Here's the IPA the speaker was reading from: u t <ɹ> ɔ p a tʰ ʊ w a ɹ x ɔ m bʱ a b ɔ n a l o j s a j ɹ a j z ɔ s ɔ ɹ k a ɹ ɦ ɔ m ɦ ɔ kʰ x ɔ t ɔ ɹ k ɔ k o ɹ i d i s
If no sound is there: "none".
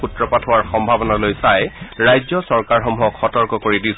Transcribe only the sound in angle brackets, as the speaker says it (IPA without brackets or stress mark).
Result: ɹ